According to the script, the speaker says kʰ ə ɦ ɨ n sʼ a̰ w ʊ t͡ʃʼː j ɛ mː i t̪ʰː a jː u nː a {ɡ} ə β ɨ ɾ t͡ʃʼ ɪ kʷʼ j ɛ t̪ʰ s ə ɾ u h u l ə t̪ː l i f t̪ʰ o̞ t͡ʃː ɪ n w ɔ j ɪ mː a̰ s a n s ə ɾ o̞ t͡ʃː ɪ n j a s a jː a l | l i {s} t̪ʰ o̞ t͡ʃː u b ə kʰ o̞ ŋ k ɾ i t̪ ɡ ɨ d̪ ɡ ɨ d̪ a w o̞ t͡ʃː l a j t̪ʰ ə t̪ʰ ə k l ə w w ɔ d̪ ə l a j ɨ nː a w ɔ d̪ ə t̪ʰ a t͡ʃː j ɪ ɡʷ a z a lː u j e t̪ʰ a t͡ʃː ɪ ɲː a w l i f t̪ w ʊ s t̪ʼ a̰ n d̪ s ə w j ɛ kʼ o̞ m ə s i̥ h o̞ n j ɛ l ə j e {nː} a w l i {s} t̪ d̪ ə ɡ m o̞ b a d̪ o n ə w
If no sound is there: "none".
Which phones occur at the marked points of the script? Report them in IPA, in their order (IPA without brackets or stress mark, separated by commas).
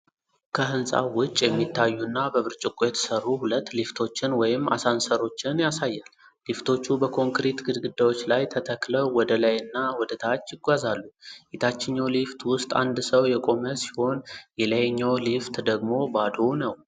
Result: b, f, ɲː, f